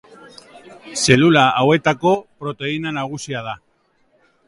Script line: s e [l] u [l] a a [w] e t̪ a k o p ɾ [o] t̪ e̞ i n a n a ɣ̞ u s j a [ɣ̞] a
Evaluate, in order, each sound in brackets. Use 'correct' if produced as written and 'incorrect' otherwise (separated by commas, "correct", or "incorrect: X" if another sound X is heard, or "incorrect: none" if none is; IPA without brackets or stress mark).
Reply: correct, correct, correct, correct, incorrect: ð̞